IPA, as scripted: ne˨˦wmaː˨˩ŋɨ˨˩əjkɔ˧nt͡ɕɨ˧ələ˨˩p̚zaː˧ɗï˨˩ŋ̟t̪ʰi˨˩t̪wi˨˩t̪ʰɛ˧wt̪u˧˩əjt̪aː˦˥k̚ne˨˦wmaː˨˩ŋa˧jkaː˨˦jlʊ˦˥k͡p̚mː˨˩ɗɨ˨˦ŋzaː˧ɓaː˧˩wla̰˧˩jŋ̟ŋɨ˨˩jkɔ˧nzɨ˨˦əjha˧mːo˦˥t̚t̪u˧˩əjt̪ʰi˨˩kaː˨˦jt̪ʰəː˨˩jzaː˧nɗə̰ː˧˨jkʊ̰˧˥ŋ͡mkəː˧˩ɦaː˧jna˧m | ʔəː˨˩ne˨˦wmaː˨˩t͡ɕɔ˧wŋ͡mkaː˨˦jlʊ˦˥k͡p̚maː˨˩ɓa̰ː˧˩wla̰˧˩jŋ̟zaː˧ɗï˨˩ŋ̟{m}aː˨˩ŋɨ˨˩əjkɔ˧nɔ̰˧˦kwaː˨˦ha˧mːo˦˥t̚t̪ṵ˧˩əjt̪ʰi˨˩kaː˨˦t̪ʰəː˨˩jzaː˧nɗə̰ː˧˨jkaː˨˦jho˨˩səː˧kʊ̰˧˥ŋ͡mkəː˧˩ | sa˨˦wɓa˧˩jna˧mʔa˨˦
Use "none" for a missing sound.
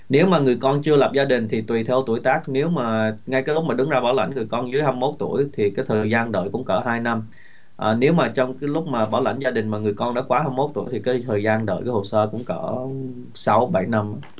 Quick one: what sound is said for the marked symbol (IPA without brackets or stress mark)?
m